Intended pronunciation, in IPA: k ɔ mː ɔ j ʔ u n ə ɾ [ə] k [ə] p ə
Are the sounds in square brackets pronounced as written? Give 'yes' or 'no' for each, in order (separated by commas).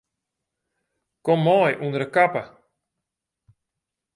yes, no